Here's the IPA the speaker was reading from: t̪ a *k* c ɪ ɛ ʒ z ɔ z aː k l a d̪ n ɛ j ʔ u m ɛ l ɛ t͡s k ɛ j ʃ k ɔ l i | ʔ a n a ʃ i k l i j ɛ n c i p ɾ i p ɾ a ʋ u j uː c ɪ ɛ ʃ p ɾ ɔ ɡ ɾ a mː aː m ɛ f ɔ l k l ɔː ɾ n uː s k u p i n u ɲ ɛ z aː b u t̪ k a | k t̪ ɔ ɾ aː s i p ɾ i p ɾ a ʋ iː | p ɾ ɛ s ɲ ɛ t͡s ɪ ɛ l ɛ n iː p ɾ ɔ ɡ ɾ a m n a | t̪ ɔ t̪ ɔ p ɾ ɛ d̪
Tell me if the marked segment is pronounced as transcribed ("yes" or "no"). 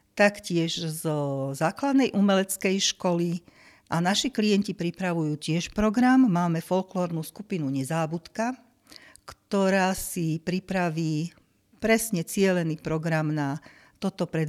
yes